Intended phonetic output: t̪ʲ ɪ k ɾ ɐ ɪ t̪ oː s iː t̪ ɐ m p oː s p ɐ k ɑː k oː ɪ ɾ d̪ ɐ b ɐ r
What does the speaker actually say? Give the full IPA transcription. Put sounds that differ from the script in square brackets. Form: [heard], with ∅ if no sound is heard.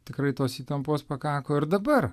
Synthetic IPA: t̪ʲ ɪ k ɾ ɐ ɪ t̪ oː s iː t̪ ɐ m p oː s p ɐ k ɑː k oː ɪ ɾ d̪ ɐ b ɐ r